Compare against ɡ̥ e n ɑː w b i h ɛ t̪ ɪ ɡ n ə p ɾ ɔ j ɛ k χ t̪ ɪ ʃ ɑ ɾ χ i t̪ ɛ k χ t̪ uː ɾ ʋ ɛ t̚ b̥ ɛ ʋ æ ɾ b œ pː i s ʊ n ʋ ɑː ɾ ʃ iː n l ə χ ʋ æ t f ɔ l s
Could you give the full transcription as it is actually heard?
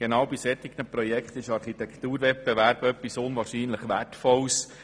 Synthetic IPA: ɡ̥ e n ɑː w b i s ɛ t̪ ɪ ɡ n ə p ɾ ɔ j ɛ k χ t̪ ɪ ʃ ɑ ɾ χ i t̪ ɛ k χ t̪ uː ɾ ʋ ɛ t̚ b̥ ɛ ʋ æ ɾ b œ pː i s ʊ n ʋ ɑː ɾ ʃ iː n l ə χ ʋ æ t f ɔ l s